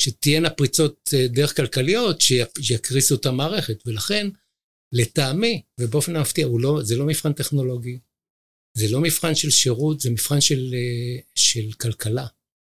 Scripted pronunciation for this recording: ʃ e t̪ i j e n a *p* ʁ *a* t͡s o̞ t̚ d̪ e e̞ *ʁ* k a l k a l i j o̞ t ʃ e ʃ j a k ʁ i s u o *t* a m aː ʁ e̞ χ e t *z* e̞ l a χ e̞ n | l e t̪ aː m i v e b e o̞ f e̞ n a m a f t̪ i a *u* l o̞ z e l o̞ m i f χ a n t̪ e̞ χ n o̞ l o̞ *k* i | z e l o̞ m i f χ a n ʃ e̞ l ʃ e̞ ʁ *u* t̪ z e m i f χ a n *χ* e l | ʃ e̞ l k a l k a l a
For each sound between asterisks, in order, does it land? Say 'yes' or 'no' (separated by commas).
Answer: yes, no, no, yes, no, yes, no, yes, no